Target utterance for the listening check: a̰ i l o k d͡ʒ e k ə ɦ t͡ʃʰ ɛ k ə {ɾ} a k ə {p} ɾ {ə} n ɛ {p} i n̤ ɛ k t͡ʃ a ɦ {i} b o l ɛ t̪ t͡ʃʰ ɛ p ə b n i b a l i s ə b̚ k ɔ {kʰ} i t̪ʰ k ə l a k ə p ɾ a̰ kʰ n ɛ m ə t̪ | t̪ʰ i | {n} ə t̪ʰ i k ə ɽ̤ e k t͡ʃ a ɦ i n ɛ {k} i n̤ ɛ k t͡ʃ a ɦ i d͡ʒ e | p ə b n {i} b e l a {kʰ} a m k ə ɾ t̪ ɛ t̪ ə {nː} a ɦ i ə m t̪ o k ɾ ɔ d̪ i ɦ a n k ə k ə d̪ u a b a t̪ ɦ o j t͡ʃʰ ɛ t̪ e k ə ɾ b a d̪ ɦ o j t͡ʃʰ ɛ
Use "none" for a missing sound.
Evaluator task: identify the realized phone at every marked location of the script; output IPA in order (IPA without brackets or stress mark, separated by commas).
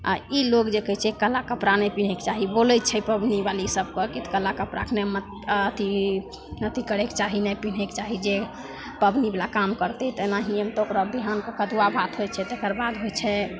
l, p, a, p, i, k, n, p, i, k, n